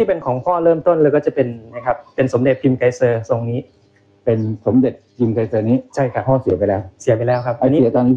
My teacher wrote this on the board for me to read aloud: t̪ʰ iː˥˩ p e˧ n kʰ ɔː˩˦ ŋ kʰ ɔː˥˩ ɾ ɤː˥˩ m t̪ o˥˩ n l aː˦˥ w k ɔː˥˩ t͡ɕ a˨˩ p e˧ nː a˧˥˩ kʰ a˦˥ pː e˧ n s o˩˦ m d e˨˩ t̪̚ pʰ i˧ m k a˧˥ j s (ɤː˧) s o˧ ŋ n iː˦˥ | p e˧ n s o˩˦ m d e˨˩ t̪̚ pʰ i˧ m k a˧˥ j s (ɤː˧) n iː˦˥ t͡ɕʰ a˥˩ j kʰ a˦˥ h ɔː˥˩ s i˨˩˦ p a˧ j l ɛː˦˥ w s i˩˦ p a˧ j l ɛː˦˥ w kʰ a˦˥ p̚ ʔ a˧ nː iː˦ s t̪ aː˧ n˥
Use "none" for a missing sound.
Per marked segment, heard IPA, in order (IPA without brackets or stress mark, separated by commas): ɤː˧, ɤː˧